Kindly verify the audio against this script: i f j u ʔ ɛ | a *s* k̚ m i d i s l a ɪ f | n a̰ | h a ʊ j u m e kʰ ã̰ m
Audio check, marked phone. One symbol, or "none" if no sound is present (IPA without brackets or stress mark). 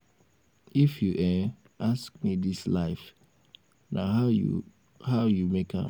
s